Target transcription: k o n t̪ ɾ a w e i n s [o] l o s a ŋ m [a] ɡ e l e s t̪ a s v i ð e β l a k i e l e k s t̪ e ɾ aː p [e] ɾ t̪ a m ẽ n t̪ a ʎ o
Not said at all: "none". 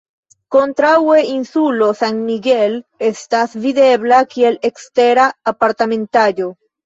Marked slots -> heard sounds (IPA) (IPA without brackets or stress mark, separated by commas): u, i, a